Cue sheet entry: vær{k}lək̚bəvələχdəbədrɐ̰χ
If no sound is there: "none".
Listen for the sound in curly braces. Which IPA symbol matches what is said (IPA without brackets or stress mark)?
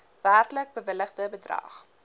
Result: t